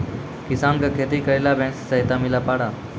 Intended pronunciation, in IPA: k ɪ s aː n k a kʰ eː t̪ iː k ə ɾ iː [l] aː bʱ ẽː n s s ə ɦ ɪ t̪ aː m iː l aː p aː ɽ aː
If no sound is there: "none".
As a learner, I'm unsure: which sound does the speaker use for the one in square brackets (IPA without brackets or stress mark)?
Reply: l